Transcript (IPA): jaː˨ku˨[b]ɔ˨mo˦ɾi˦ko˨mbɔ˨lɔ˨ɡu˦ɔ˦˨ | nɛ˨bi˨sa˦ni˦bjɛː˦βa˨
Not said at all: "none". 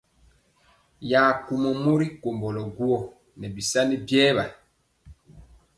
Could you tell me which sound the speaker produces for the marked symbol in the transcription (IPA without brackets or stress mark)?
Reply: m